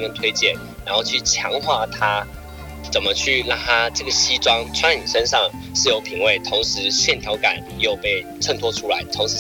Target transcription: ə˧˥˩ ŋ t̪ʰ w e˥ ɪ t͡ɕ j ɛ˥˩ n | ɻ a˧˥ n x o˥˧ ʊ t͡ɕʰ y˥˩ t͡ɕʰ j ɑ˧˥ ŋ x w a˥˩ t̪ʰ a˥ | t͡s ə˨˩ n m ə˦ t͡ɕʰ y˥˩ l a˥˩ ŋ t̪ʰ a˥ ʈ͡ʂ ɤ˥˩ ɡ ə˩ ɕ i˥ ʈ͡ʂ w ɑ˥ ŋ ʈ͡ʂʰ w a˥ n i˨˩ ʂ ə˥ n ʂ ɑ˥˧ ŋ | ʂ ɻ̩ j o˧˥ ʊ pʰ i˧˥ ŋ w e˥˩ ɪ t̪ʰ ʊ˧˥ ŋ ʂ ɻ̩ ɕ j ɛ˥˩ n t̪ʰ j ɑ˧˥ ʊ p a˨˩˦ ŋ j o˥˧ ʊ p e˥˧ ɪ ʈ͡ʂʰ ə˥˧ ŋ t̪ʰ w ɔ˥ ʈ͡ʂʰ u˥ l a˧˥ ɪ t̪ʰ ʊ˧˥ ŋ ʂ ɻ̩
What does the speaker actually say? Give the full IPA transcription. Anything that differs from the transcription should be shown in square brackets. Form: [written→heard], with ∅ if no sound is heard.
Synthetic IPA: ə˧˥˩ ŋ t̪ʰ w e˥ ɪ t͡ɕ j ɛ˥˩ n | ɻ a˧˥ n x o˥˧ ʊ t͡ɕʰ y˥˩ t͡ɕʰ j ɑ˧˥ ŋ x w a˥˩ t̪ʰ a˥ | t͡s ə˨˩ n m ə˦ t͡ɕʰ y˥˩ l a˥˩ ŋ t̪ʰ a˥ ʈ͡ʂ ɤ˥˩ ɡ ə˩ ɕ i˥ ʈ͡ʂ w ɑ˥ ŋ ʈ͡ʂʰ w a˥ n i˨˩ ʂ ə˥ n ʂ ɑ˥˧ ŋ | ʂ ɻ̩ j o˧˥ ʊ pʰ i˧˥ ŋ w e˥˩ ɪ t̪ʰ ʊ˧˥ ŋ ʂ ɻ̩ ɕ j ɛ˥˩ n t̪ʰ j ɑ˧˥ ʊ [p→k] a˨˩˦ [ŋ→n] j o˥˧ ʊ p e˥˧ ɪ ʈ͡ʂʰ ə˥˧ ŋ t̪ʰ w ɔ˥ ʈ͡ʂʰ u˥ l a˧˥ ɪ t̪ʰ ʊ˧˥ ŋ ʂ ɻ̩